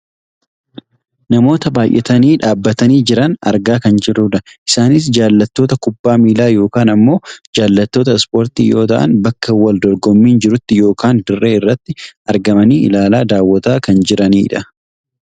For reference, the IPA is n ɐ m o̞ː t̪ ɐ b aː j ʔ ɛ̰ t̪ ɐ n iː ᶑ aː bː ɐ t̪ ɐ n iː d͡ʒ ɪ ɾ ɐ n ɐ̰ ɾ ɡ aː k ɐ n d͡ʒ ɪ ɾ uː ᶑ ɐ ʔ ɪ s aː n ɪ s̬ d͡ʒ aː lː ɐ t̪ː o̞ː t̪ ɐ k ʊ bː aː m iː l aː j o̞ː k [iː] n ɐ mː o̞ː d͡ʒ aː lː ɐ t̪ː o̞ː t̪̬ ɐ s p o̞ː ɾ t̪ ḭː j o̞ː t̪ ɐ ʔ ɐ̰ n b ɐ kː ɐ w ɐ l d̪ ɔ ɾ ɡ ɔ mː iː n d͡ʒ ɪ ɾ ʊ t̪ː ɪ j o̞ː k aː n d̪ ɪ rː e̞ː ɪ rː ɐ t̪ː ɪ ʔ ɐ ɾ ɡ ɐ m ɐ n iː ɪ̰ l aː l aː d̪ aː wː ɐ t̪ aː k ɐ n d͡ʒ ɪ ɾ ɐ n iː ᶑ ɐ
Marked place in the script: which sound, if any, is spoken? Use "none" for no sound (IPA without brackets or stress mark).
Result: aː